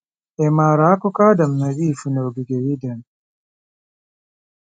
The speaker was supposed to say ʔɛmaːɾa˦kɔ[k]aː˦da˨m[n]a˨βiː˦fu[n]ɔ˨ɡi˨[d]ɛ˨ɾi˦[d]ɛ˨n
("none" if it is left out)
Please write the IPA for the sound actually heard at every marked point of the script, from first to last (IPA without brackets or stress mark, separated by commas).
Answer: k, n, n, ɡ, d